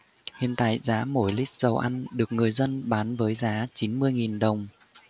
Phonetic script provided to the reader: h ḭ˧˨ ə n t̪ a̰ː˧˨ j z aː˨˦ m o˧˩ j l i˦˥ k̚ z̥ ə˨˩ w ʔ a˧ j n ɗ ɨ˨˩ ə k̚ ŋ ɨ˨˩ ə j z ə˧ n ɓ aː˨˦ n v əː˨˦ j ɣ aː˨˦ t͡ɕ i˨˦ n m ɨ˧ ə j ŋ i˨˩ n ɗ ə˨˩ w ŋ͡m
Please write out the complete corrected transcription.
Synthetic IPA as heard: h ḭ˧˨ ə n t̪ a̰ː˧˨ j z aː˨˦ m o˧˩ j l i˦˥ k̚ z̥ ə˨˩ w ʔ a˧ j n ɗ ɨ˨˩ ə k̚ ŋ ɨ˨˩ ə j z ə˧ n ɓ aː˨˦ n v əː˨˦ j z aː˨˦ t͡ɕ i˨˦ n m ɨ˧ ə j ŋ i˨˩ n ɗ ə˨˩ w ŋ͡m

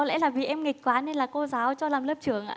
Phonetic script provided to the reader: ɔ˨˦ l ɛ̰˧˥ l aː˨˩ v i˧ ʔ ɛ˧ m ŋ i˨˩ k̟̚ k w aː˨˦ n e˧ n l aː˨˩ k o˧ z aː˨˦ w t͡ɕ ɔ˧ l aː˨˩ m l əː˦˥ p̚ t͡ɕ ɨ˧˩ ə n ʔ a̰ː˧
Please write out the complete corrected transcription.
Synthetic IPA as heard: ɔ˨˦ l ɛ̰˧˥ l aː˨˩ v i˨˩ ʔ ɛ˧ m ŋ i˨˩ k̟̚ k w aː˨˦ n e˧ n l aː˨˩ k o˧ z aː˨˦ w t͡ɕ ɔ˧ l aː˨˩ m l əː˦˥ p̚ t͡ɕ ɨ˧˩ ə ŋ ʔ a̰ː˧

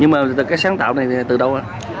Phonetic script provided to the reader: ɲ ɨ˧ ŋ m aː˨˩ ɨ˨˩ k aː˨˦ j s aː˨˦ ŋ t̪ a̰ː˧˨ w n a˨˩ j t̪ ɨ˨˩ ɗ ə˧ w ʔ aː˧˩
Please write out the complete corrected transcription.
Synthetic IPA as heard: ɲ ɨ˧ ŋ m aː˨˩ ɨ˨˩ k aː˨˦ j s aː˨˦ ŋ t̪ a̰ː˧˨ w n a˨˩ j t̪ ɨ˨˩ ɗ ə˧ w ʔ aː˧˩

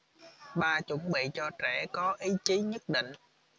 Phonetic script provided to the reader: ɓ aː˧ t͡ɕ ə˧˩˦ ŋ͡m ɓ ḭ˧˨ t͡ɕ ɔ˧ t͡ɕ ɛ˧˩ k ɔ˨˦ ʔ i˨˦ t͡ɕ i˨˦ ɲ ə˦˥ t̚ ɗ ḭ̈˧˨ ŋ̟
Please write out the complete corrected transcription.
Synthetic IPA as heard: ɓ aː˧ t͡ɕ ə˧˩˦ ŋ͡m ɓ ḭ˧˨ t͡ɕ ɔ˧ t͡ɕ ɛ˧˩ k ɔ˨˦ ʔ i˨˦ t͡ɕ i˨˦ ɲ ə˦˥ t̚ ɗ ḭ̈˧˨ ŋ̟

